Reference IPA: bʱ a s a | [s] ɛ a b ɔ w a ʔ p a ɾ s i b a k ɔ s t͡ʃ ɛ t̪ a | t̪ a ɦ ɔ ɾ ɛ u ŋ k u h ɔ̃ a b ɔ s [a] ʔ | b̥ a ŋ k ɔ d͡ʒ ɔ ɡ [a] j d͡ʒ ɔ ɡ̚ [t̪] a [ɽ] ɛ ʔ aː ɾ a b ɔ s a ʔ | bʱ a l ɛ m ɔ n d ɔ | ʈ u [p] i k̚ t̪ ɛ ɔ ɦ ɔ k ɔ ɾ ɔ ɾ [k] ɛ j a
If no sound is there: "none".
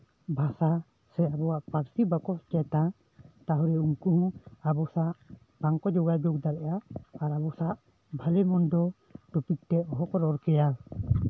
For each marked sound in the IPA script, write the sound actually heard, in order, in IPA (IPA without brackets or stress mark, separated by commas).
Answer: s, a, a, d̪, ɾ, p, k